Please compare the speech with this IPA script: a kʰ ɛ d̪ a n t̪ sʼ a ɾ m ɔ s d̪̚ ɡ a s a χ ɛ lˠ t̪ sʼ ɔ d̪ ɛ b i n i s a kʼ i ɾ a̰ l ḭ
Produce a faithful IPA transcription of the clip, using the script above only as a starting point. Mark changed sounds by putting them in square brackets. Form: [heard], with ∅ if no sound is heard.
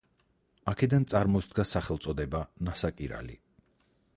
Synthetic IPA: a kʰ ɛ d̪ a n t̪ sʼ a ɾ m ɔ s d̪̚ ɡ a s a χ ɛ lˠ t̪ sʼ ɔ d̪ ɛ b [a] n [a] s a kʼ i ɾ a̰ l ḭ

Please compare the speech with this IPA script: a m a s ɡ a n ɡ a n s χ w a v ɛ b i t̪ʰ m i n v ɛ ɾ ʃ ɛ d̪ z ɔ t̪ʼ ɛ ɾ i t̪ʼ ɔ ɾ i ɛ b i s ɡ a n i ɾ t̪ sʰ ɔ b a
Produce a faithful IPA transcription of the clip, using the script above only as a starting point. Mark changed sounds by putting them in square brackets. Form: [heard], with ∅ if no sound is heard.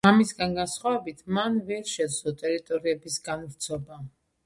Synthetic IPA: a m [i] s ɡ a n ɡ a n s χ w a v ɛ b i t̪ʰ m [a] n v ɛ ɾ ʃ ɛ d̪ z ɔ t̪ʼ ɛ ɾ i t̪ʼ ɔ ɾ i ɛ b i s ɡ a n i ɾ t̪ sʰ ɔ b a

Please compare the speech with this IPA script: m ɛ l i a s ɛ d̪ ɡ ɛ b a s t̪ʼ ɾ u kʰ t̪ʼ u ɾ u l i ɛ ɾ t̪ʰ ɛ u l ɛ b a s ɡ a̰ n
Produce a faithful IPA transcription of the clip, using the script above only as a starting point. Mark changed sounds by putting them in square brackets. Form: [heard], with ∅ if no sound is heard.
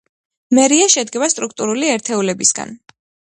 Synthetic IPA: m ɛ [ɾ] i a [ʃ] ɛ d̪ ɡ ɛ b a s t̪ʼ ɾ u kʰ t̪ʼ u ɾ u l i ɛ ɾ t̪ʰ ɛ u l ɛ b [i] s ɡ a̰ n

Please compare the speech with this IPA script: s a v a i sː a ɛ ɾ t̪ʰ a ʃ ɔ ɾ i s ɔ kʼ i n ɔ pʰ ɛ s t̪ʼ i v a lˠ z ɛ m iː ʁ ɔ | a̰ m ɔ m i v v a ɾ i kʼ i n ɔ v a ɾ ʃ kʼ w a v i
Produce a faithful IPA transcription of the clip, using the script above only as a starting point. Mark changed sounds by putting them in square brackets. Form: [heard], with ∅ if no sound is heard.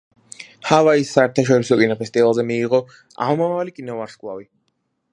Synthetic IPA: [h] a v a i sː a ɛ ɾ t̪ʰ a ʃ ɔ ɾ i s ɔ kʼ i n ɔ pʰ ɛ s t̪ʼ i v a lˠ z ɛ m iː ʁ ɔ | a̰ m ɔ m [a] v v a [l] i kʼ i n ɔ v a ɾ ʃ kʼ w a v i

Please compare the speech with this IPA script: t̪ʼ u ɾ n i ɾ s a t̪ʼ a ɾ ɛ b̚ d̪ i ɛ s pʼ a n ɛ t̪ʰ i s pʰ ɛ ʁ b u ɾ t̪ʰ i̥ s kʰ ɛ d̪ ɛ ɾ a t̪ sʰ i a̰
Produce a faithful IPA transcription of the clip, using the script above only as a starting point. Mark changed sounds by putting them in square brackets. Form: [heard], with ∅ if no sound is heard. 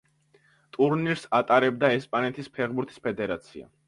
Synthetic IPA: t̪ʼ u ɾ n i ɾ s a t̪ʼ a ɾ ɛ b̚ d̪ [a] ɛ s pʼ a n ɛ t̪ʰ i s pʰ ɛ ʁ b u ɾ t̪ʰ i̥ s [pʰ] ɛ d̪ ɛ ɾ a t̪ sʰ i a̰

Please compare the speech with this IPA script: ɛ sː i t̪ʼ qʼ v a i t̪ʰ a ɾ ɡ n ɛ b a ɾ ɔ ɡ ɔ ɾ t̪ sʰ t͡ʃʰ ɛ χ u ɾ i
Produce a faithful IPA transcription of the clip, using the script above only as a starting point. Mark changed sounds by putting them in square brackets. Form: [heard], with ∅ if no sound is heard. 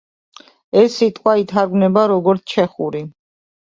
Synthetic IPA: ɛ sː i t̪ʼ qʼ [w] a i t̪ʰ a ɾ ɡ n ɛ b a ɾ ɔ ɡ ɔ ɾ t̪ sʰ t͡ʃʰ ɛ χ u ɾ i

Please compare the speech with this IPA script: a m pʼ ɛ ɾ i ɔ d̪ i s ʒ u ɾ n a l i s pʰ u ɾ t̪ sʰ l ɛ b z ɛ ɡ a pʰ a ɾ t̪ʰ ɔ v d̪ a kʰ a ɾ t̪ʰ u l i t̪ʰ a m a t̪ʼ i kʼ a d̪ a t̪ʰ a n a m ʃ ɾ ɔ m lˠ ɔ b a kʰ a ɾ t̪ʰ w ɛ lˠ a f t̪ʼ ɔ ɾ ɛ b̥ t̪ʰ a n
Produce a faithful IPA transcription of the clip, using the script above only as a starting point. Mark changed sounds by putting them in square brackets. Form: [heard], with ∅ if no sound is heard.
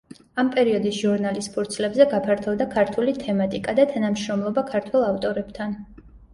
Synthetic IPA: a m pʼ ɛ ɾ i ɔ d̪ i s ʒ u ɾ n a l i s pʰ u ɾ t̪ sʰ l ɛ b z ɛ ɡ a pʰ a ɾ t̪ʰ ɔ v d̪ a kʰ a ɾ t̪ʰ u l i t̪ʰ [ɛ] m a t̪ʼ i kʼ a d̪ a t̪ʰ a n a m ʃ ɾ ɔ m lˠ ɔ b a kʰ a ɾ t̪ʰ w ɛ lˠ a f t̪ʼ ɔ ɾ ɛ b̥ t̪ʰ a n

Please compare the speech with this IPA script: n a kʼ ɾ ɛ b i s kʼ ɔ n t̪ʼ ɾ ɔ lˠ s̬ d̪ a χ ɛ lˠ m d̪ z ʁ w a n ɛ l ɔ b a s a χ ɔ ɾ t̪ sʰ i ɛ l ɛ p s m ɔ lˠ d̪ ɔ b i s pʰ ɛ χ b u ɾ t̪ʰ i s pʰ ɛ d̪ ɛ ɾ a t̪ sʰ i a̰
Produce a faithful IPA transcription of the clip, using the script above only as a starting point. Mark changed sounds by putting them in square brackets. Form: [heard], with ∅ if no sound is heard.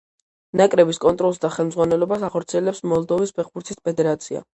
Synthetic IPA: n a kʼ ɾ ɛ b i s kʼ ɔ n t̪ʼ ɾ ɔ lˠ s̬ d̪ a χ ɛ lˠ m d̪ z ʁ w a n ɛ l ɔ b a s a χ ɔ ɾ t̪ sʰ i ɛ l ɛ p s m ɔ lˠ d̪ ɔ [v] i s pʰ ɛ χ b u ɾ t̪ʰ i s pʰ ɛ d̪ ɛ ɾ a t̪ sʰ i a̰

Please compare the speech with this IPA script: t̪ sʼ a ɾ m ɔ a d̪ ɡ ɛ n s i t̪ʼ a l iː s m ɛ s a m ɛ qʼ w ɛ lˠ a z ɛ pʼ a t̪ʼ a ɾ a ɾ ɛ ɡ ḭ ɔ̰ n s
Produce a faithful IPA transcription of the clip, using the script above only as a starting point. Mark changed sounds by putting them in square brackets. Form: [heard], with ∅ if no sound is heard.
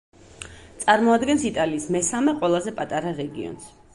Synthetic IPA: t̪ sʼ a ɾ m ɔ a d̪ ɡ ɛ n s i t̪ʼ a l iː s m ɛ s a m ɛ qʼ w ɛ lˠ a z ɛ pʼ a t̪ʼ a ɾ a ɾ ɛ ɡ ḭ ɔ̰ n s

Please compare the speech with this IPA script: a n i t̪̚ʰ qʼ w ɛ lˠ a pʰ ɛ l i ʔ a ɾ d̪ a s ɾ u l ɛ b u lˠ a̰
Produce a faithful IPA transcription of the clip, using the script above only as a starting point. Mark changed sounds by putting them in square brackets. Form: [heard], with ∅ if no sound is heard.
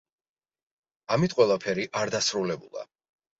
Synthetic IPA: a [m] i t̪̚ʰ qʼ w ɛ lˠ a pʰ ɛ [ɾ] i ʔ a ɾ d̪ a s ɾ u l ɛ b u lˠ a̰

